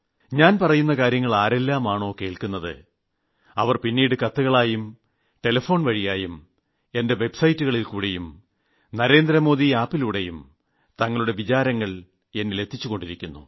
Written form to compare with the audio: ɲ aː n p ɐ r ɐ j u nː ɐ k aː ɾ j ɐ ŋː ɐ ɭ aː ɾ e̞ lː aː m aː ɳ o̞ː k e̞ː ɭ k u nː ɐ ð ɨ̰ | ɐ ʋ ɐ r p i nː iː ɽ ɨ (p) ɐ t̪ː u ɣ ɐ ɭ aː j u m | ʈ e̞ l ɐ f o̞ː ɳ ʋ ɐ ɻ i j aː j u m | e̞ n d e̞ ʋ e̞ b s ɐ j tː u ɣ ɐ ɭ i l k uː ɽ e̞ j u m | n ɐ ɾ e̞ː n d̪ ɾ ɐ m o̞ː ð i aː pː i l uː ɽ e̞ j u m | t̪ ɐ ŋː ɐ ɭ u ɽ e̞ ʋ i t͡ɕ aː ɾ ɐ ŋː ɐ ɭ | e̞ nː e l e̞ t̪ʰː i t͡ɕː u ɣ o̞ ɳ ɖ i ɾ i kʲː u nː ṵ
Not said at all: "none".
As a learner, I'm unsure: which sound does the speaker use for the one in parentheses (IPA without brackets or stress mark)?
k